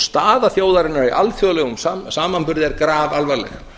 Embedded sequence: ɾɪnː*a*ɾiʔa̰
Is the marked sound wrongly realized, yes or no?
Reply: no